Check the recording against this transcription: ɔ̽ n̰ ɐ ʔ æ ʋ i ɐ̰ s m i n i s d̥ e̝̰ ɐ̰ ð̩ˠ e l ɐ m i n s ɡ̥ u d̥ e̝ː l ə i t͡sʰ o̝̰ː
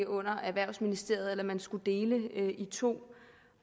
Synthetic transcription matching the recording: ɔ̽ n̰ ɐ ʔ æ ʋ æ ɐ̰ s m i n i s d̥ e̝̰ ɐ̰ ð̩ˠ e l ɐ m æ n s ɡ̥ u d̥ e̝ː l ə i t͡sʰ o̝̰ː